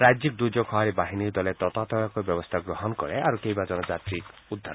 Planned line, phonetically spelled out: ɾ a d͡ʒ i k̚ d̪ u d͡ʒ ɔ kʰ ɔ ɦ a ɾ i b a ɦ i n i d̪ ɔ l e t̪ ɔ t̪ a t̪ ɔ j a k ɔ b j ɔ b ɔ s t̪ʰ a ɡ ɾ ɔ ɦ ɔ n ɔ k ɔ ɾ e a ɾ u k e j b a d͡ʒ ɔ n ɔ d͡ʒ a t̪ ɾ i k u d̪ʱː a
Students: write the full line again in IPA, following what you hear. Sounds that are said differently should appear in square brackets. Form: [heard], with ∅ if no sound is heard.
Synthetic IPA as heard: ɾ a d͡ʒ i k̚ d̪ u d͡ʒ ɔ kʰ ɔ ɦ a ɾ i b a ɦ i n i d̪ ɔ l e t̪ ɔ t̪ a t̪ ɔ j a k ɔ b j ɔ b ɔ s t̪ʰ a ɡ ɾ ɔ ɦ ɔ n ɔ k ɔ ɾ e a ɾ u k e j b a d͡ʒ ɔ n ɔ d͡ʒ a t̪ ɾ i k u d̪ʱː a